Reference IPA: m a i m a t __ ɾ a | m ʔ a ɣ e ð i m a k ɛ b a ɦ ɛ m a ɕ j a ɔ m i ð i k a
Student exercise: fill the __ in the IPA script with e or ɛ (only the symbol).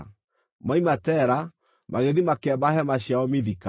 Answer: ɛ